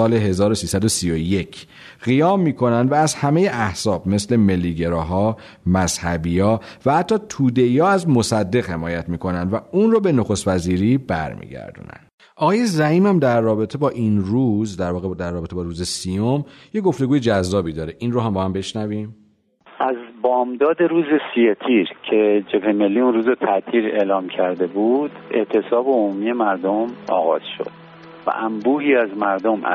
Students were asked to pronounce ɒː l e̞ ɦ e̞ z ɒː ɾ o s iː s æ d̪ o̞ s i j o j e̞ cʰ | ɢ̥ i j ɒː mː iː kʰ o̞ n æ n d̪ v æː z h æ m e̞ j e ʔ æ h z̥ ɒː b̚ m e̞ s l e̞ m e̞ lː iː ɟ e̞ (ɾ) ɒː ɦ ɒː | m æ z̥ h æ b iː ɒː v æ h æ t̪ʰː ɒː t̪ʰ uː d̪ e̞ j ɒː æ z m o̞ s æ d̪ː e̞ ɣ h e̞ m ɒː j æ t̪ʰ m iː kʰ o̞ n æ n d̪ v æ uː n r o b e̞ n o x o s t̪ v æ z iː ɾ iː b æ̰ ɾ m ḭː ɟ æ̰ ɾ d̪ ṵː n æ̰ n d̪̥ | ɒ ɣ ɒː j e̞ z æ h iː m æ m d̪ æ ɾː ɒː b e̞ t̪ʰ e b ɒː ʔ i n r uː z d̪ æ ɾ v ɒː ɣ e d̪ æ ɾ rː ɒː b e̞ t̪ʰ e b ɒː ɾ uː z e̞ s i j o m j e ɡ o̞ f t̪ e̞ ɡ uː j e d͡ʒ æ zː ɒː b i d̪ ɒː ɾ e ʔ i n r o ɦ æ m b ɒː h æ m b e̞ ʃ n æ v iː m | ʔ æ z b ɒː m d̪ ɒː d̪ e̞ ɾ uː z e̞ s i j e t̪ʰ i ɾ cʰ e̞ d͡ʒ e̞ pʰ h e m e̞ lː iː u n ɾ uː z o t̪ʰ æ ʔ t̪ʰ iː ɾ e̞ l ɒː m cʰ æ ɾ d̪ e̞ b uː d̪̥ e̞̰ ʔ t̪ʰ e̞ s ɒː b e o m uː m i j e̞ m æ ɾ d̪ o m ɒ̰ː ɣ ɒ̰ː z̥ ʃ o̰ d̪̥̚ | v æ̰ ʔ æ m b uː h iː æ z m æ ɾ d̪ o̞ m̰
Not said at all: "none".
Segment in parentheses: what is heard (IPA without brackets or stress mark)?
ɾ